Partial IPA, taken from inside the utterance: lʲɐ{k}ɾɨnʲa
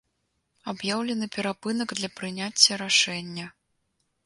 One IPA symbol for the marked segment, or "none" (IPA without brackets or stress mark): p